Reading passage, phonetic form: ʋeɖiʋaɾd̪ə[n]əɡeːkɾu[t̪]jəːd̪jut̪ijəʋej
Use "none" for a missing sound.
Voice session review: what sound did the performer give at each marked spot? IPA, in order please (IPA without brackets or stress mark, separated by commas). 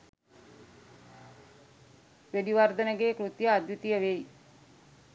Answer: n, t̪